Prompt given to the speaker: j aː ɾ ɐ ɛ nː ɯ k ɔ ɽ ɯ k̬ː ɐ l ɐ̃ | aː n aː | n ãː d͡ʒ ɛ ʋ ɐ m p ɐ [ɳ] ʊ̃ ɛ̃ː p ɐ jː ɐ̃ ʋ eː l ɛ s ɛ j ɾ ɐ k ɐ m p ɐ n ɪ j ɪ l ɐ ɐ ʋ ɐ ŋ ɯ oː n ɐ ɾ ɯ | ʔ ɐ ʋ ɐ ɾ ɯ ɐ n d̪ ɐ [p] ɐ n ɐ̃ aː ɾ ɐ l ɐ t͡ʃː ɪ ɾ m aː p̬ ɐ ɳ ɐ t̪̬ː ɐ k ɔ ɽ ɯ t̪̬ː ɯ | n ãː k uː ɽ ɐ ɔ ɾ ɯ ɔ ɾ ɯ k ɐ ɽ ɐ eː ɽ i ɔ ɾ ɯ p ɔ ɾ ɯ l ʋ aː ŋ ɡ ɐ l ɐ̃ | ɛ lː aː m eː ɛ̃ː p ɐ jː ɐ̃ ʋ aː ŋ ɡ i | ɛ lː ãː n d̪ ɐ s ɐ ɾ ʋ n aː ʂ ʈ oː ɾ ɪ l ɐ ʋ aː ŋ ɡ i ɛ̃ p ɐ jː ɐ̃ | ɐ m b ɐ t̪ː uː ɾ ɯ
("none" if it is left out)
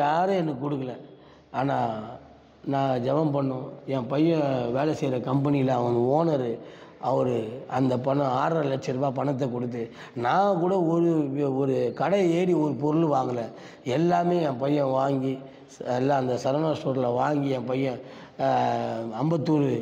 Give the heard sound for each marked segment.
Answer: ɳː, p

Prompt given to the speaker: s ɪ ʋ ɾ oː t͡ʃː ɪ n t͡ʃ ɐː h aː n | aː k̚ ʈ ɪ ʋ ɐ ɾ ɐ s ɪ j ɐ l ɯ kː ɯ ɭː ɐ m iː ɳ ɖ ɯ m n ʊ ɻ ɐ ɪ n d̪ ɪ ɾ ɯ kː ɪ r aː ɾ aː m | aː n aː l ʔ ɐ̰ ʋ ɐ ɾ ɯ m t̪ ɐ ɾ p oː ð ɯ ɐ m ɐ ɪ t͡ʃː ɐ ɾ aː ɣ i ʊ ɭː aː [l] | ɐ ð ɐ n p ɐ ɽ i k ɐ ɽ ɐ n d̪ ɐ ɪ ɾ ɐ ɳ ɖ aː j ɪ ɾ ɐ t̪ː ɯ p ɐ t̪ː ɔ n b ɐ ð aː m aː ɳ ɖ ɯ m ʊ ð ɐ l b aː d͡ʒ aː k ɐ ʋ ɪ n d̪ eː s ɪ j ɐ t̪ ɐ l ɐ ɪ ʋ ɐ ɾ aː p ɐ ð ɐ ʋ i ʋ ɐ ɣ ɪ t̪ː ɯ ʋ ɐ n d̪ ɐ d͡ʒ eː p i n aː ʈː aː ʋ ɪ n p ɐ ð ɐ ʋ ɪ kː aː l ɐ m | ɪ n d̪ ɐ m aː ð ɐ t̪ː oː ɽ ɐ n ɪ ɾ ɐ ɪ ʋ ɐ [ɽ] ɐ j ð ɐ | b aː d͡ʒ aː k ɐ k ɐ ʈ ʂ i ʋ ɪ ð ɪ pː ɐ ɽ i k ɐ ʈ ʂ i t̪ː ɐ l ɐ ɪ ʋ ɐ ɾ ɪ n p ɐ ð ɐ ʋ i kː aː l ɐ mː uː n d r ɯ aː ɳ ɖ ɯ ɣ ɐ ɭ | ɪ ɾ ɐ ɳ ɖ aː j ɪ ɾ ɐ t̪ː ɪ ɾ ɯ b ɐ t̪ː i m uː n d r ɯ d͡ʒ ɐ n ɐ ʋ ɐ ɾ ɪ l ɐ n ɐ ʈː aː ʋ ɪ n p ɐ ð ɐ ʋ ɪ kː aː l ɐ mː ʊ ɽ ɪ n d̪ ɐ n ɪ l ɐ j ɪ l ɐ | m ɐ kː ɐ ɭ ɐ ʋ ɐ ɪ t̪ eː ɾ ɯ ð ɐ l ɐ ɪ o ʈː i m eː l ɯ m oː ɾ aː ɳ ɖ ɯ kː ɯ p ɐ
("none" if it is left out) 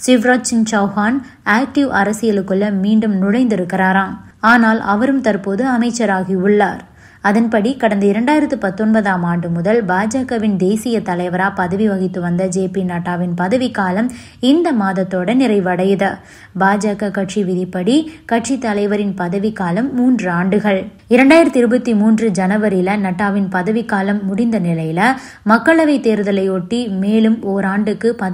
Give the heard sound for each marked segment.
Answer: ɾ, ɽ

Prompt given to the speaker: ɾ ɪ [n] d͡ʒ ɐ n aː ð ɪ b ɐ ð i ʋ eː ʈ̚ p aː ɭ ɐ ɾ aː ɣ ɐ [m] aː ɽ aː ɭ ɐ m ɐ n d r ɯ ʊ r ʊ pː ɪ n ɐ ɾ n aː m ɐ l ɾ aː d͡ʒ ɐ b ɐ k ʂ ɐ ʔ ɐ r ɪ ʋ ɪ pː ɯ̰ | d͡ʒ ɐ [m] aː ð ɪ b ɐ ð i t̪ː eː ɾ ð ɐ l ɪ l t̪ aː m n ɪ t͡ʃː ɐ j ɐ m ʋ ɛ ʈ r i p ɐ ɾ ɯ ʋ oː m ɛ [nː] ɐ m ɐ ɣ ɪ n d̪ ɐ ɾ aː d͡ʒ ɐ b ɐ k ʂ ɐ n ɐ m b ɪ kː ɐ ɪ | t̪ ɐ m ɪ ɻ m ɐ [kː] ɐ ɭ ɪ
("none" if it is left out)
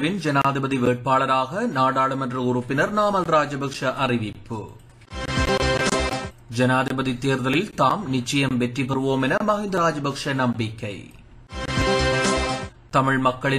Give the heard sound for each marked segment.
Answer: n, n, n, n, kː

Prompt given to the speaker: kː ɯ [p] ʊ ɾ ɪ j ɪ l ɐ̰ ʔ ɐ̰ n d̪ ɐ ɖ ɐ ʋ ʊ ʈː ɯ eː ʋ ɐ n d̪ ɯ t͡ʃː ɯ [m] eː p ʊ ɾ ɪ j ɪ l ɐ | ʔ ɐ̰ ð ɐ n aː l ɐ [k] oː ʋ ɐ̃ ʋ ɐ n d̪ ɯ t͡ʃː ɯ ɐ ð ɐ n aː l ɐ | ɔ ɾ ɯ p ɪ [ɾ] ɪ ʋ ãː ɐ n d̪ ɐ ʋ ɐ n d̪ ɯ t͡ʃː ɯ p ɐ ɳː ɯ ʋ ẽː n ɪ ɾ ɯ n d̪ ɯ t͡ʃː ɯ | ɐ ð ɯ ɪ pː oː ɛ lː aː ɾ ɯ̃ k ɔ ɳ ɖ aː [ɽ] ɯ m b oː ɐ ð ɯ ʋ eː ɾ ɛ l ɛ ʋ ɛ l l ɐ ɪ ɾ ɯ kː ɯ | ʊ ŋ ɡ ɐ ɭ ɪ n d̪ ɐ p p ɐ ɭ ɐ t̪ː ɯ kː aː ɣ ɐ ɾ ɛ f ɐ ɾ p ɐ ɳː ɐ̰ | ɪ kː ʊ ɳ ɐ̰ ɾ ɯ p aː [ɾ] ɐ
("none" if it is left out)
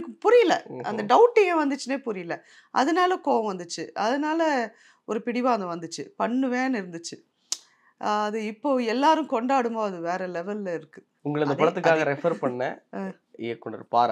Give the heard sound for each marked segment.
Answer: p, n, k, ɽ, ɽ, ɾ

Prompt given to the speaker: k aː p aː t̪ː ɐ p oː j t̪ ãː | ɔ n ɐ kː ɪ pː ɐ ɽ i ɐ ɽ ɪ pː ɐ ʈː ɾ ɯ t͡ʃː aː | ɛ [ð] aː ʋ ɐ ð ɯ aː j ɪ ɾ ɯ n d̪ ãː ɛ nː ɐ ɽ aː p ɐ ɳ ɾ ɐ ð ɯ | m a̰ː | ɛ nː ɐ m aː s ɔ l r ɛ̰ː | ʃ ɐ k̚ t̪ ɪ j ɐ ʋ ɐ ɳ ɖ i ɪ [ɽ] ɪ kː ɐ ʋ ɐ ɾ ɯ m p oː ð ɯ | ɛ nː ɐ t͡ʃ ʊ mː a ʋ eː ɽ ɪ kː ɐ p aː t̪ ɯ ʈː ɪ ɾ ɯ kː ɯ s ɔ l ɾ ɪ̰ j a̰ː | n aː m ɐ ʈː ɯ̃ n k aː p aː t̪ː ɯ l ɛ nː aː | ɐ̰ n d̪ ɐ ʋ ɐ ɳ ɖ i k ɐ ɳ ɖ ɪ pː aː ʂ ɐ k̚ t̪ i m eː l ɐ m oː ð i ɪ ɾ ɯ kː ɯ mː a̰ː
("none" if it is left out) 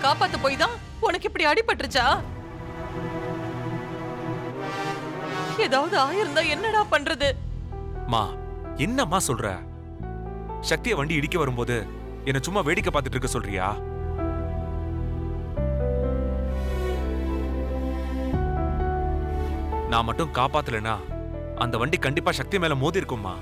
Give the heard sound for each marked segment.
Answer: ð, ɽ

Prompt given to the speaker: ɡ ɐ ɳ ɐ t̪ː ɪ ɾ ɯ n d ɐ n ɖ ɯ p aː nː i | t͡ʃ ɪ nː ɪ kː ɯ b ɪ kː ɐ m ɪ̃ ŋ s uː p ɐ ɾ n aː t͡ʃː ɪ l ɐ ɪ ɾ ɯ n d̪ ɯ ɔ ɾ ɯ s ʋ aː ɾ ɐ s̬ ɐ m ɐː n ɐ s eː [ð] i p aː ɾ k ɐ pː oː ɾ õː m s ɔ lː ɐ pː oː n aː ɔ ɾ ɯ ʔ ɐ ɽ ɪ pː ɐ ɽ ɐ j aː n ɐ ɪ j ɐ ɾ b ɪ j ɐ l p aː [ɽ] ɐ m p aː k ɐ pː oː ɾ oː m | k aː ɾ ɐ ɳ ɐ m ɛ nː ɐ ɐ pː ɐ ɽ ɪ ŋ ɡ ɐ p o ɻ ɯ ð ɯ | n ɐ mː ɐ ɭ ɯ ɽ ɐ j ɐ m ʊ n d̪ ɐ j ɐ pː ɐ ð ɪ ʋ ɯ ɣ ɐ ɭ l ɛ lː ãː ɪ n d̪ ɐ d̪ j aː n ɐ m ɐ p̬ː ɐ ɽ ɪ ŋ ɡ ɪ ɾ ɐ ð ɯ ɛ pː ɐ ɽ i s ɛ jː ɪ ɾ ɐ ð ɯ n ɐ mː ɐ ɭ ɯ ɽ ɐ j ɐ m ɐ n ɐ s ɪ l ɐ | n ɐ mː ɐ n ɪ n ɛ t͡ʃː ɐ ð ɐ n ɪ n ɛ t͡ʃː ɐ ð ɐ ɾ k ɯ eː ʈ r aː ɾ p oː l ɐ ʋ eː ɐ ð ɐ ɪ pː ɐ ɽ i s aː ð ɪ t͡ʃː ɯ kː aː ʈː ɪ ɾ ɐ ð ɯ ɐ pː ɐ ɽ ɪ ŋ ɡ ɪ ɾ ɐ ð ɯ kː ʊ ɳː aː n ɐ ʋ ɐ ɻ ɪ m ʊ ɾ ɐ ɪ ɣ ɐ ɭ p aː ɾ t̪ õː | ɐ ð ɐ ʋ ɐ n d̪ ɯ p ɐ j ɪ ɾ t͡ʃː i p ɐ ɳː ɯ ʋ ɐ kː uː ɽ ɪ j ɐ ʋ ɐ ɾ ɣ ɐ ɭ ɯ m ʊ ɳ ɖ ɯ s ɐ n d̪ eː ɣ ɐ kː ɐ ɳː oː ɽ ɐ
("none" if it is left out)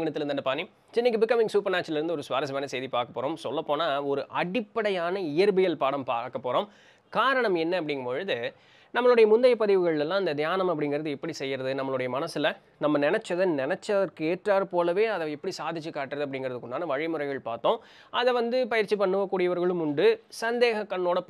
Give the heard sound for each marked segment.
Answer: ð, ɽ

